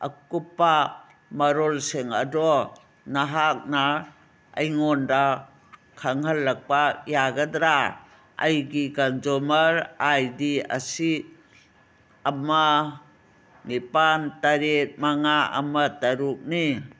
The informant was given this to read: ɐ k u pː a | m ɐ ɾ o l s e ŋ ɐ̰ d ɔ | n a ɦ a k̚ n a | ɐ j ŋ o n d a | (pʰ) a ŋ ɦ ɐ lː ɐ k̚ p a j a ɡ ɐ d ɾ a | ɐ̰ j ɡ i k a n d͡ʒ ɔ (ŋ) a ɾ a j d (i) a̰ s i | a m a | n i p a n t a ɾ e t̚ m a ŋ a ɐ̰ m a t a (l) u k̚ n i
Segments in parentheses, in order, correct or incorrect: incorrect, incorrect, correct, incorrect

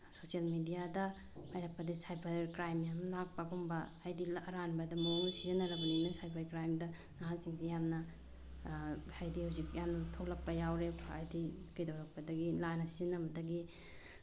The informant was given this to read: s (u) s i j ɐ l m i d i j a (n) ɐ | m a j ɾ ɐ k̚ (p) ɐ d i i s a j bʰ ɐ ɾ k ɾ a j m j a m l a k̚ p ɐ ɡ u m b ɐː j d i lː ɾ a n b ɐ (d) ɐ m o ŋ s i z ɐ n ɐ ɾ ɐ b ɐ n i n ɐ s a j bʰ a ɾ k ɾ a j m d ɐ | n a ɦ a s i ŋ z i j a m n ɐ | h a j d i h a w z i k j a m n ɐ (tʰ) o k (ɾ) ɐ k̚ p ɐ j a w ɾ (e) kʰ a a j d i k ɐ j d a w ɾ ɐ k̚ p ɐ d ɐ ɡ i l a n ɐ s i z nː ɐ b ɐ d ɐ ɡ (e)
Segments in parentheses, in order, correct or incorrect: incorrect, incorrect, correct, correct, correct, incorrect, correct, incorrect

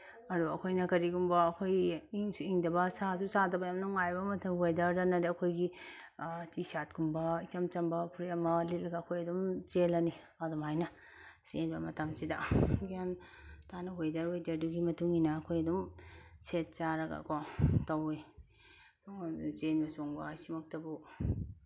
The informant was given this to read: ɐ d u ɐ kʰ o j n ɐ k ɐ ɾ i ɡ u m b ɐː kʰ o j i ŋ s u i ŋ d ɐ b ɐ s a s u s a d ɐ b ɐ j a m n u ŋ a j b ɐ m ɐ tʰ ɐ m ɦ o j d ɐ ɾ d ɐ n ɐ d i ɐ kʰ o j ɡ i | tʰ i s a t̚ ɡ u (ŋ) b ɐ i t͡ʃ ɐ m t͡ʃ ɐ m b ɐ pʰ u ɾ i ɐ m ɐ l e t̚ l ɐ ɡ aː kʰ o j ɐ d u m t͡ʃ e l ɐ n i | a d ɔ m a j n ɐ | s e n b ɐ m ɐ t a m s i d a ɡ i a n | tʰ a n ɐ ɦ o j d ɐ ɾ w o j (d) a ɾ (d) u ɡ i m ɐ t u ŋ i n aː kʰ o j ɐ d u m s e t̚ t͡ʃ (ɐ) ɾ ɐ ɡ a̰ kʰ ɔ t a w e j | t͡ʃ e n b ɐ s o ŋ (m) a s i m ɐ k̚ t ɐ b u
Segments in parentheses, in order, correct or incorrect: incorrect, correct, correct, incorrect, incorrect

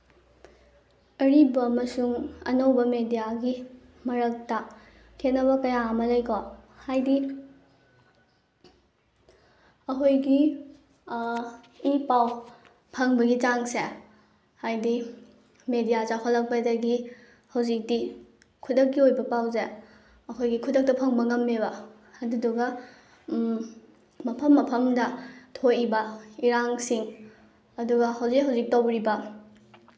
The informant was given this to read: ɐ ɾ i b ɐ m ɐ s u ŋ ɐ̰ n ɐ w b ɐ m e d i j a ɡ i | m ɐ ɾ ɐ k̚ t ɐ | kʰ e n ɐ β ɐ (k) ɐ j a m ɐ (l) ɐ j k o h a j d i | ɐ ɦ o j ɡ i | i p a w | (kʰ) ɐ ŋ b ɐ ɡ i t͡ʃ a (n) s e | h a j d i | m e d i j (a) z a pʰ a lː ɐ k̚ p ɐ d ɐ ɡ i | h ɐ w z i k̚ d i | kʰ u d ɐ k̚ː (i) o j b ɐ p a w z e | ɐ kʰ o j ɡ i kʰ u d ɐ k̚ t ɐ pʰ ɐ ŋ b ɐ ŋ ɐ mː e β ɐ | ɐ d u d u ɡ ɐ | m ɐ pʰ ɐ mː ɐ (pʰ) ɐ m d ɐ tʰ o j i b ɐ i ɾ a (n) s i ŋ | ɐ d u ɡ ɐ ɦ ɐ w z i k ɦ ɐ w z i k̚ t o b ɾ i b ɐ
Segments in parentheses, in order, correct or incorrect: correct, correct, incorrect, incorrect, correct, correct, correct, incorrect

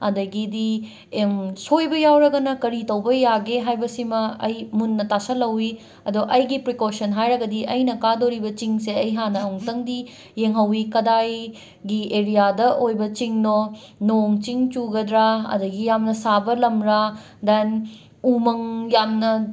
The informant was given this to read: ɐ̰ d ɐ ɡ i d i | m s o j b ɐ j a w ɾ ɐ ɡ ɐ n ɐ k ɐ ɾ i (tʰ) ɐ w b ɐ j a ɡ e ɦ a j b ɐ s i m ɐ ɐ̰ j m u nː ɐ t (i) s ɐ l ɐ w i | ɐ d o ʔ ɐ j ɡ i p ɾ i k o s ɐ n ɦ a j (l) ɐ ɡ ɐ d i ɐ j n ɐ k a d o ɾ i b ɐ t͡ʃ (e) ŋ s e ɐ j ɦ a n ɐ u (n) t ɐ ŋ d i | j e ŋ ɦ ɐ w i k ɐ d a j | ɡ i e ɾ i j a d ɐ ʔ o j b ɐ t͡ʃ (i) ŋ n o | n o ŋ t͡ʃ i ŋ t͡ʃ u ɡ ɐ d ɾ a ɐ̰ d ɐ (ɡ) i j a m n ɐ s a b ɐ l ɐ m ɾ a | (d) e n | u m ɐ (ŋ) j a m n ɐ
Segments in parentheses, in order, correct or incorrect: incorrect, incorrect, incorrect, incorrect, incorrect, correct, correct, correct, correct

